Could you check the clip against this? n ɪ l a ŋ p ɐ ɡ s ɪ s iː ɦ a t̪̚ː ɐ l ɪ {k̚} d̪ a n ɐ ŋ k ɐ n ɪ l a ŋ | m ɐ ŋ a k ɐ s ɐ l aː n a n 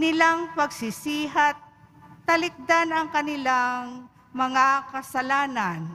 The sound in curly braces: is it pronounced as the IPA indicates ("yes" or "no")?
yes